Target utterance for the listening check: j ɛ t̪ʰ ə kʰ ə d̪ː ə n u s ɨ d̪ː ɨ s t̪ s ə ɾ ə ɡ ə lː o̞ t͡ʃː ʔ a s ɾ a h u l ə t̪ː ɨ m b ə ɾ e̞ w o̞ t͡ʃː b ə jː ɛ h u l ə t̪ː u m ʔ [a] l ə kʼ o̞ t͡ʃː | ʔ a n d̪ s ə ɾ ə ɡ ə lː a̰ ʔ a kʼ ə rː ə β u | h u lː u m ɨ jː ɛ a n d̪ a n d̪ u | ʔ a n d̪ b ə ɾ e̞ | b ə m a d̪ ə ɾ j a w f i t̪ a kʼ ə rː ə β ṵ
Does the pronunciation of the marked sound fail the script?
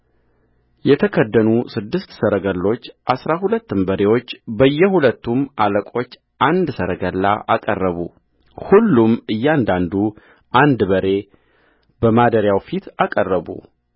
no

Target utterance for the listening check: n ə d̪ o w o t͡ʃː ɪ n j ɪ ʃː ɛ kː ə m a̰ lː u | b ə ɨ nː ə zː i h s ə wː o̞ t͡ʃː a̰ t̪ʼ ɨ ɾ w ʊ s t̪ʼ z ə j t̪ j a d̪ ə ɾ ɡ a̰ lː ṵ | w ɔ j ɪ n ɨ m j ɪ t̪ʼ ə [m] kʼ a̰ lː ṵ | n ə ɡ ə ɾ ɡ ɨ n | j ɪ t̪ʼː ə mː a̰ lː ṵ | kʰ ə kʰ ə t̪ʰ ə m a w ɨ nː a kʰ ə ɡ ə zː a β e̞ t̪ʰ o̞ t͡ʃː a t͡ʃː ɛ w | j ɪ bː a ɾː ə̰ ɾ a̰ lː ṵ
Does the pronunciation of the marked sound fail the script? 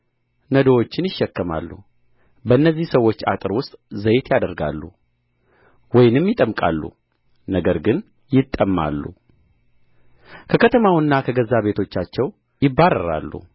no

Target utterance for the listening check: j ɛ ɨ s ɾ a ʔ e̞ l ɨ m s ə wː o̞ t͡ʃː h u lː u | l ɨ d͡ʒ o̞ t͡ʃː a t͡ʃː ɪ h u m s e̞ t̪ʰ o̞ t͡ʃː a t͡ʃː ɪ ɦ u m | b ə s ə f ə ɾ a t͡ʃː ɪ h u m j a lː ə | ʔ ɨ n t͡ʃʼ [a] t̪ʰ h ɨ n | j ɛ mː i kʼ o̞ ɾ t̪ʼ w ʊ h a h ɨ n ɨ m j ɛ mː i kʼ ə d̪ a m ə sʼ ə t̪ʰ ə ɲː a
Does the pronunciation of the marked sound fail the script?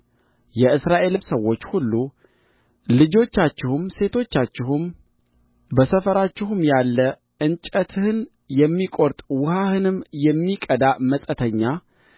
yes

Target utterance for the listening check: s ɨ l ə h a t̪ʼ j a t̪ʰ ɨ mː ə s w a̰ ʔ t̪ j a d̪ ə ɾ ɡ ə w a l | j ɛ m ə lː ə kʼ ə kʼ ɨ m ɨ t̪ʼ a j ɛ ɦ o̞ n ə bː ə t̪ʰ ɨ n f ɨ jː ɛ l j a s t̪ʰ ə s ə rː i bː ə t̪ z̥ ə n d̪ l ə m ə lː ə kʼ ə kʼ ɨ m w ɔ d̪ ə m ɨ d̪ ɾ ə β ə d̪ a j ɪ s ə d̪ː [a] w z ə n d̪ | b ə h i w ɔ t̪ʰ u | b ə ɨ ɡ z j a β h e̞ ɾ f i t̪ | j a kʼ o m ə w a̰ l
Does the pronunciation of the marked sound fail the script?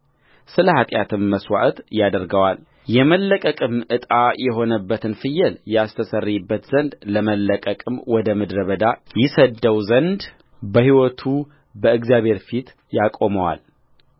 yes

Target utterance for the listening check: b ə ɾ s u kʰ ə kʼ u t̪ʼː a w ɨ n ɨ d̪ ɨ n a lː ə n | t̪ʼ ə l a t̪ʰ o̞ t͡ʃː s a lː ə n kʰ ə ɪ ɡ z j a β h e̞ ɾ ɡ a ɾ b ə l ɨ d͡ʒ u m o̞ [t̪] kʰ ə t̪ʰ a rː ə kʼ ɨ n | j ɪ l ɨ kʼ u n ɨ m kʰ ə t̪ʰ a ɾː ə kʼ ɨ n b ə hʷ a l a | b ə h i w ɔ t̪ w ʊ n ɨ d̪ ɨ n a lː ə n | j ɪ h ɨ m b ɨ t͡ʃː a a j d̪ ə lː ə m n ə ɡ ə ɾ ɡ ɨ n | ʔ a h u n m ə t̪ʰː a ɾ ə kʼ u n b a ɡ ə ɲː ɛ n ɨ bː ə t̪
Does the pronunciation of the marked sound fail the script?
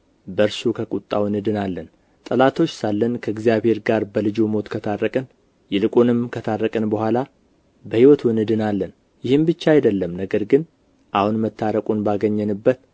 no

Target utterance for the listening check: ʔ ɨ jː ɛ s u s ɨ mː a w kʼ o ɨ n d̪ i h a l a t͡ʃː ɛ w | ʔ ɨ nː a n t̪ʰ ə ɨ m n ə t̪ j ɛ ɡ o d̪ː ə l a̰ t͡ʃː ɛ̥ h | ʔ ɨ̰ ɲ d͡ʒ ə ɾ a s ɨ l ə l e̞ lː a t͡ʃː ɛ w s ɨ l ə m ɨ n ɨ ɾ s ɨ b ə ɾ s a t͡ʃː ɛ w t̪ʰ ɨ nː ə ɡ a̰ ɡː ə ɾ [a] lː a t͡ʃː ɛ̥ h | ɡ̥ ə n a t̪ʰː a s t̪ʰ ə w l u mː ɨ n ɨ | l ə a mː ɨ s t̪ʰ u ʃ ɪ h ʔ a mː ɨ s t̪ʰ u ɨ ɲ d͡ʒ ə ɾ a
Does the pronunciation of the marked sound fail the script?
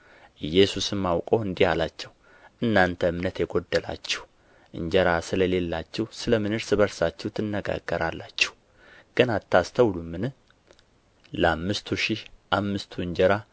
no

